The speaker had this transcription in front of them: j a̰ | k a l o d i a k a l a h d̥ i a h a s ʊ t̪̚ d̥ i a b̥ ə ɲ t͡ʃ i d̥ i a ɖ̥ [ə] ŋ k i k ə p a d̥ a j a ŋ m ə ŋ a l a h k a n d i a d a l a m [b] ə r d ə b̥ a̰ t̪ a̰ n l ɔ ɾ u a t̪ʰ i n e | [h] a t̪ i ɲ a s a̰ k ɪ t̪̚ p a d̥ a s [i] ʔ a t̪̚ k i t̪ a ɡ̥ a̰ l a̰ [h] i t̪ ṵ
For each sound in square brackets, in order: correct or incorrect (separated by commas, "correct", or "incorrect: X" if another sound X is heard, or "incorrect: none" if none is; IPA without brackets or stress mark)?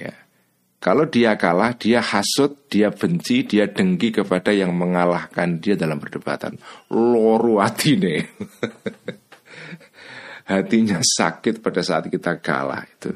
correct, incorrect: p, correct, incorrect: a, correct